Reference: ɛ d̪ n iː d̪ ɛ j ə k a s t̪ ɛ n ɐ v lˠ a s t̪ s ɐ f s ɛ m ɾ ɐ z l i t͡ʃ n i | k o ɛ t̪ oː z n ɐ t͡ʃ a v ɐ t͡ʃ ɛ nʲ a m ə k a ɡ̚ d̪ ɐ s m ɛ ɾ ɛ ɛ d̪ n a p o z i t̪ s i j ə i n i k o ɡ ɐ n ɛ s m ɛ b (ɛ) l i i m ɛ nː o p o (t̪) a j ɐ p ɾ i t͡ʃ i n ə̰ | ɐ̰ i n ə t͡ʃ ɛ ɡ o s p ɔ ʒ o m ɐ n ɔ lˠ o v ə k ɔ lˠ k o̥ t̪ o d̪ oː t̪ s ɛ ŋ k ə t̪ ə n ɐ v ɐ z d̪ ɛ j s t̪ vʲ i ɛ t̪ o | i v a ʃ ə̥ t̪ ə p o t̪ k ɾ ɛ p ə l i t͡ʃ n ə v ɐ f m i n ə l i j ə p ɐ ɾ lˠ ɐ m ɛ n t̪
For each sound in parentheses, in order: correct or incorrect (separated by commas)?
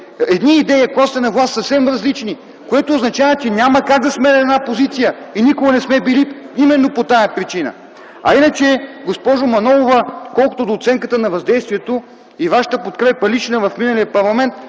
incorrect, correct